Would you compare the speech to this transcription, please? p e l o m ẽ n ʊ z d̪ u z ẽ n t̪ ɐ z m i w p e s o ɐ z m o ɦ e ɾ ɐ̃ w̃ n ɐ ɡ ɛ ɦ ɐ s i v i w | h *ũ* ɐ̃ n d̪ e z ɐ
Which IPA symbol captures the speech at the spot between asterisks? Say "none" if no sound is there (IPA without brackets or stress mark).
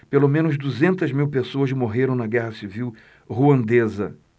u